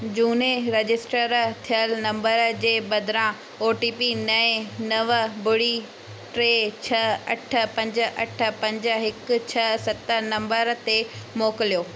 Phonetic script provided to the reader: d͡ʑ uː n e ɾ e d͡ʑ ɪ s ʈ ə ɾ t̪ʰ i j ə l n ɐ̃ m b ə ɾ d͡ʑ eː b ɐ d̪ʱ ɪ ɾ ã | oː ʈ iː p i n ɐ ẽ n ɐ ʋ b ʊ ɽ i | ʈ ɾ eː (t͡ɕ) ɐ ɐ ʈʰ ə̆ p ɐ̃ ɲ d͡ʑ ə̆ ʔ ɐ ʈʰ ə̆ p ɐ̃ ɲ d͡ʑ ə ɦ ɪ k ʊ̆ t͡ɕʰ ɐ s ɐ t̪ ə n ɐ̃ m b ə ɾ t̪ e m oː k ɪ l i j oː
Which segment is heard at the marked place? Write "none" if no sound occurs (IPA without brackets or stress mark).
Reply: t͡ɕʰ